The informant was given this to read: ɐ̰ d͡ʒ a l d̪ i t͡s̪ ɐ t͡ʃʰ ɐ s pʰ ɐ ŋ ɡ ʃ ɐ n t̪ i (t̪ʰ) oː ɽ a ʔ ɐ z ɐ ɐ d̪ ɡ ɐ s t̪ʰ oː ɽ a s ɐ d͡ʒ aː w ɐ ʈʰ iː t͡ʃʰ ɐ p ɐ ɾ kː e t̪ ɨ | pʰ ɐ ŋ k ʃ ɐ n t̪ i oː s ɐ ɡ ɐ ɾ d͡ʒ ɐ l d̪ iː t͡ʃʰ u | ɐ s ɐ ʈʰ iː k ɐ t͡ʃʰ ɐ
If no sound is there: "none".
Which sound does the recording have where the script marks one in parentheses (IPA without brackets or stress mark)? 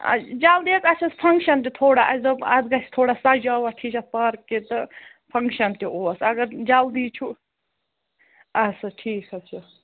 t̪ʰ